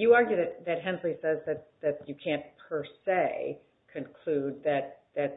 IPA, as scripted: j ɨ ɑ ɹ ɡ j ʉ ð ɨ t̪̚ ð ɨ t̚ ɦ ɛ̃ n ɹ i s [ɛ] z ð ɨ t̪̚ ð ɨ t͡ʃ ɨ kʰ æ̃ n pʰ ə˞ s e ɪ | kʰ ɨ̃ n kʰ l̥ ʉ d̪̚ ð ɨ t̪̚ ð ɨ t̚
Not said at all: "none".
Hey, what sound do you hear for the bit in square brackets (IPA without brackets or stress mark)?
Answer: ɛ